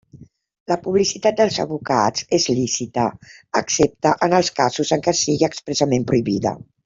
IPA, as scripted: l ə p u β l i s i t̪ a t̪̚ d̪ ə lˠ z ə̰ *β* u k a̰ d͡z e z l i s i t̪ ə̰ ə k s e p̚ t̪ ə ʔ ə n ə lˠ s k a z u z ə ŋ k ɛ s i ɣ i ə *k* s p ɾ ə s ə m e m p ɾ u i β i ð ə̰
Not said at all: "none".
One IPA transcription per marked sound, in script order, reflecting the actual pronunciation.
β, k

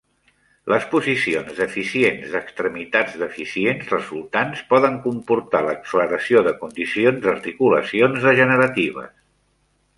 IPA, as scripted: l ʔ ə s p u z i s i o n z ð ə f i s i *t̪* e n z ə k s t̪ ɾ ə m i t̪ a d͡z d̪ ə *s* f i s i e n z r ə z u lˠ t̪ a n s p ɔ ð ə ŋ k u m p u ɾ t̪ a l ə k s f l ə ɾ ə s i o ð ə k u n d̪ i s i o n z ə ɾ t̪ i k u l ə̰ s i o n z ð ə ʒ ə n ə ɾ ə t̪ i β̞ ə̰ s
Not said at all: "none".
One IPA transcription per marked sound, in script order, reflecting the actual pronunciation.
none, none

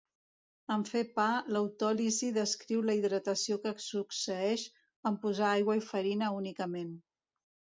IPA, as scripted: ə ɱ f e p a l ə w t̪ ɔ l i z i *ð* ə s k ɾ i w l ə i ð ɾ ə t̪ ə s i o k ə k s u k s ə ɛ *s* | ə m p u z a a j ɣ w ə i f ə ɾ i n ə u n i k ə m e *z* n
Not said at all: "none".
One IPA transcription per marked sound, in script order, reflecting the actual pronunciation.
ð, ʃ, none

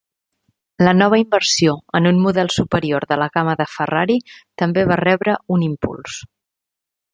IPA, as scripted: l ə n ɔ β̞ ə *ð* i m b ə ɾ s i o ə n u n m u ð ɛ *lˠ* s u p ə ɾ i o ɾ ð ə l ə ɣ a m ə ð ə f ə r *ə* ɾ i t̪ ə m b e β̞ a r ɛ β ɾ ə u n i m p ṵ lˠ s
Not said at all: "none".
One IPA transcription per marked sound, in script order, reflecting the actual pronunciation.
none, lˠ, a

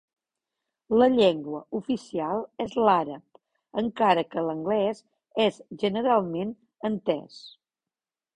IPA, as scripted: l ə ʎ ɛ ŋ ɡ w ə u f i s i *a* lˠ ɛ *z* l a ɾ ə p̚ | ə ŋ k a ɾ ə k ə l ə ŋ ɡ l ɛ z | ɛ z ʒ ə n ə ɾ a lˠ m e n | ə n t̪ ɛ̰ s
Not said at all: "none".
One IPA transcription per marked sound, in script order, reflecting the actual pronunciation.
a, z

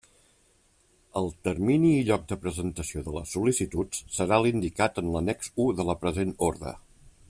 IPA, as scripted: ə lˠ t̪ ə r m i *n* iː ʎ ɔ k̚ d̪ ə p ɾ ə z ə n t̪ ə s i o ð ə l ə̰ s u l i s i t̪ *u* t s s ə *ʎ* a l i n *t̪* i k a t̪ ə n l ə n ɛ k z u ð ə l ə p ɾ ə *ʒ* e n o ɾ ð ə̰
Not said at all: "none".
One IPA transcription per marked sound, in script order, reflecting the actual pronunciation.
n, u, ɾ, d̪, z

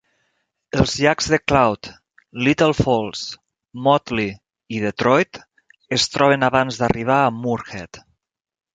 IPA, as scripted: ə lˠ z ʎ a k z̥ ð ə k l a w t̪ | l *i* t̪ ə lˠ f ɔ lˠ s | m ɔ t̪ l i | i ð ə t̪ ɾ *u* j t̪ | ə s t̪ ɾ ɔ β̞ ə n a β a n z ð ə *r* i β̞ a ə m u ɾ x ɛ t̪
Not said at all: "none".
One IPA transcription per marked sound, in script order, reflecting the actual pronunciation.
i, ɔ, r

